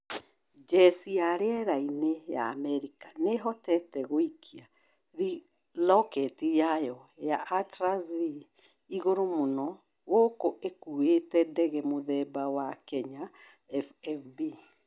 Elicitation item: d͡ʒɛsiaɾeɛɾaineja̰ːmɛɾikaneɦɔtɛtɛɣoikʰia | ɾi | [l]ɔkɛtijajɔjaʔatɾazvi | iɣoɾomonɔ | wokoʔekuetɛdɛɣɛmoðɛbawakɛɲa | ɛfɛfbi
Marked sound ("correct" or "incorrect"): correct